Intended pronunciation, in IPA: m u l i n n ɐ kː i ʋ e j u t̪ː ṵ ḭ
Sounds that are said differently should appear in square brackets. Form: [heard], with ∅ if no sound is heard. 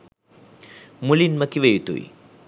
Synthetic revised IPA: m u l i n [m] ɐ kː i ʋ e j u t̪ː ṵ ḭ